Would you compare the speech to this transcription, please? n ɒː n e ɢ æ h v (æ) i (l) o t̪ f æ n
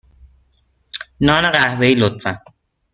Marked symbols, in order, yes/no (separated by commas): no, yes